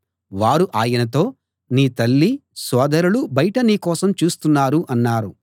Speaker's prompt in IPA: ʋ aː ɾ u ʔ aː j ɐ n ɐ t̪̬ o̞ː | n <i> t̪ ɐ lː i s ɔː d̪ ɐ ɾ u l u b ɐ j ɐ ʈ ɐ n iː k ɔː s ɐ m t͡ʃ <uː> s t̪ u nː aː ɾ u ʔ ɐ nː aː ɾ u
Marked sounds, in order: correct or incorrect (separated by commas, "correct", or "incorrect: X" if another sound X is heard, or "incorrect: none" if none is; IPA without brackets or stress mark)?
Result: incorrect: iː, correct